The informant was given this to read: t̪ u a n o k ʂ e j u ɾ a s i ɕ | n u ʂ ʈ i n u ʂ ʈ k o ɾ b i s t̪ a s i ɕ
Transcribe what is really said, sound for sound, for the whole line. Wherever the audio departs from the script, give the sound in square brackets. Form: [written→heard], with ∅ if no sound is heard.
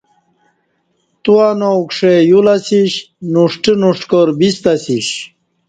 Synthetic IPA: t̪ u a n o k ʂ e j u [ɾ→l] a s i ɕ | n u ʂ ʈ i n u ʂ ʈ k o ɾ b i s t̪ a s i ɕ